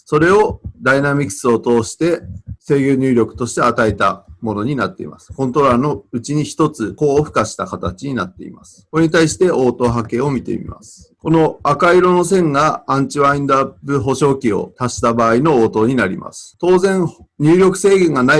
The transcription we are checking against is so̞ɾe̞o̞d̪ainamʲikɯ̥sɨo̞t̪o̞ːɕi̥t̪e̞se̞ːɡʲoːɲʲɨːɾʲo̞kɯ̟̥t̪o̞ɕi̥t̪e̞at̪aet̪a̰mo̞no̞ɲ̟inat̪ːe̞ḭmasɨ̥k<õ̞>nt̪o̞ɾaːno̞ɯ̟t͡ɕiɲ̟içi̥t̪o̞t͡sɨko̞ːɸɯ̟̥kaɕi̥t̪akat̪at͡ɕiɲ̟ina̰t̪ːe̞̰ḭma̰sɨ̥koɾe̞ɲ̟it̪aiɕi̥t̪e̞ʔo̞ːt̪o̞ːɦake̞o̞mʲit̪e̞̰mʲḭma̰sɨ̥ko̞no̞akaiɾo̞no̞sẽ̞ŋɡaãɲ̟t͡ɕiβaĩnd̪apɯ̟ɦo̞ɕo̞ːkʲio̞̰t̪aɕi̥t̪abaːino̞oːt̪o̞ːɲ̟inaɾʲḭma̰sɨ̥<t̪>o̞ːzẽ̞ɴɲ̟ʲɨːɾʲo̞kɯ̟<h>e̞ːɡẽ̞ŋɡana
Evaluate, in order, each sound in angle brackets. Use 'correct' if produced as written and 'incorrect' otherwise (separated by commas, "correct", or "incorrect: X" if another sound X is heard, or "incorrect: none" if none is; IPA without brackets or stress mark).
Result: correct, correct, incorrect: s